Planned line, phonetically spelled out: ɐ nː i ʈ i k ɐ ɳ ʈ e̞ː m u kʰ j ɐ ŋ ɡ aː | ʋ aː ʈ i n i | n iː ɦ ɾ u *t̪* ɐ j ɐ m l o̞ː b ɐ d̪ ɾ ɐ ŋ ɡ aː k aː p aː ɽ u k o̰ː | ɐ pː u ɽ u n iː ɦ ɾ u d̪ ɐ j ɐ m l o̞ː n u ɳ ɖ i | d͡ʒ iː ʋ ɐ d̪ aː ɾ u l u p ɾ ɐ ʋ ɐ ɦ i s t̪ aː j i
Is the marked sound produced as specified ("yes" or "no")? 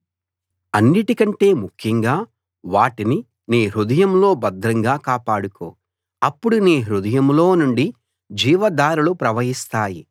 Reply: no